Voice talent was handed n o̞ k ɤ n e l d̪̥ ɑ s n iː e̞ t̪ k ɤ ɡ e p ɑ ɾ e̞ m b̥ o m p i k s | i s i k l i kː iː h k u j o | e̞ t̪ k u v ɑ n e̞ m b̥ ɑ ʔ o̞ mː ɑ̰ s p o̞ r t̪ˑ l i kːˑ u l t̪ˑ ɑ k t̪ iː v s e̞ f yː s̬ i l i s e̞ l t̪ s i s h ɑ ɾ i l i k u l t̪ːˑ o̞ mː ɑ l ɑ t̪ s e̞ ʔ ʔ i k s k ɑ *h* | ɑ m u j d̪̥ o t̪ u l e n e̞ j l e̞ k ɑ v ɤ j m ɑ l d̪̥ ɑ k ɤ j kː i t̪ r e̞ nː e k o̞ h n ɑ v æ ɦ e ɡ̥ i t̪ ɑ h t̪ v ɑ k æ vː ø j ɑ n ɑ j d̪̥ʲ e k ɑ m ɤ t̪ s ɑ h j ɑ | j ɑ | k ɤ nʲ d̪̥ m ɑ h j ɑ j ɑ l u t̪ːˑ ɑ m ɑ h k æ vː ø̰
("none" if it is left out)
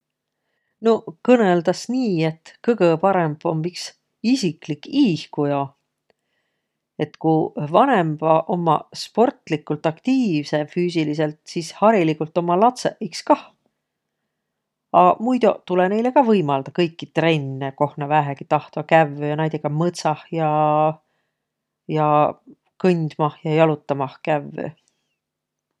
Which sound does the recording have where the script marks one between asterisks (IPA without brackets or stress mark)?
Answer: h